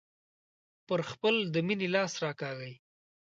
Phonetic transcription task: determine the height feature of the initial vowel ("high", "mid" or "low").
mid